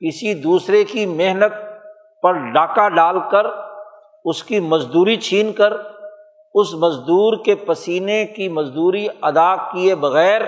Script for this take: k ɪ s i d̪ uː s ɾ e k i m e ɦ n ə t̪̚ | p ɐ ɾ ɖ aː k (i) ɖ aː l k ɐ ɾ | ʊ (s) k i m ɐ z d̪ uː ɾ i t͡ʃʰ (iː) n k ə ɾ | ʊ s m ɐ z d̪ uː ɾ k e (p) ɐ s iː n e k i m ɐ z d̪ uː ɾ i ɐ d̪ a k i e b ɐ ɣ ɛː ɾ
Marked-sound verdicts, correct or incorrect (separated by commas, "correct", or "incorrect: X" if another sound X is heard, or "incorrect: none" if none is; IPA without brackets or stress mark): incorrect: a, correct, correct, correct